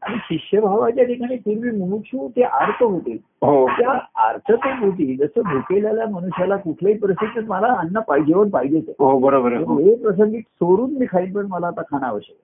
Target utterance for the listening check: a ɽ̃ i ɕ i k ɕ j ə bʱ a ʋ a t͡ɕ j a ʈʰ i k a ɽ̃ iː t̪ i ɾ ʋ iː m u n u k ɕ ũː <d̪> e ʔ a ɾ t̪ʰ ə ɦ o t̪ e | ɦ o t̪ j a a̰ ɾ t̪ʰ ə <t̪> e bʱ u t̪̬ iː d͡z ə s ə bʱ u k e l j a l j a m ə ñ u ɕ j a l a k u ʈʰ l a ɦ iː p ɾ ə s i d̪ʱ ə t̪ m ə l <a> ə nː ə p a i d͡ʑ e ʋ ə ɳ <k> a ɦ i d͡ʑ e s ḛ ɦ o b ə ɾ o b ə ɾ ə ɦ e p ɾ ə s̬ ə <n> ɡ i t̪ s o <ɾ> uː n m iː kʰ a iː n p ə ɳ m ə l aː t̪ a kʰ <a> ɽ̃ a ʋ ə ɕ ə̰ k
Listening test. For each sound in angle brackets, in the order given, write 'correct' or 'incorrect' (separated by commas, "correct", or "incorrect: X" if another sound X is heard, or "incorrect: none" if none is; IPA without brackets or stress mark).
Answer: incorrect: t̪, correct, correct, incorrect: p, incorrect: ŋ, correct, correct